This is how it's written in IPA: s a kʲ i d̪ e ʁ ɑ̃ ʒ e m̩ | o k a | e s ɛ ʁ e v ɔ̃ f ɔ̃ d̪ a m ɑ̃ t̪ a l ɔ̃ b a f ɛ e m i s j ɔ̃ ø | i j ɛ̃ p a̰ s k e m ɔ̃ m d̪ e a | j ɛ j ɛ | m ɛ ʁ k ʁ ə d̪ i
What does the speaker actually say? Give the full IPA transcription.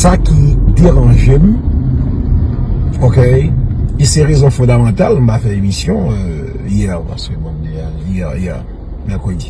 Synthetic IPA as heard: s a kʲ i d̪ e ʁ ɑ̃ ʒ e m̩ | o k e | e s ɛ ʁ e z ɔ̃ f ɔ̃ d̪ a m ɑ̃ t̪ a l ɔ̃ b a f ɛ e m i s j ɔ̃ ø | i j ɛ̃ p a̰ s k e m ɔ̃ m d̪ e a | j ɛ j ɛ | m ɛ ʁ k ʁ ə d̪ i